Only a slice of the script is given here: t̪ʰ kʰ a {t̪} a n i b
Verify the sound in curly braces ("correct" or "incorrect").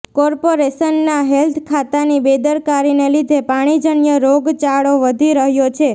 correct